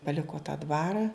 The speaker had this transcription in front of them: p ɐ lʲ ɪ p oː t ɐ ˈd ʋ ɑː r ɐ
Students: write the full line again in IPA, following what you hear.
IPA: p ɐ lʲ ɪ k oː t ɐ ˈd ʋ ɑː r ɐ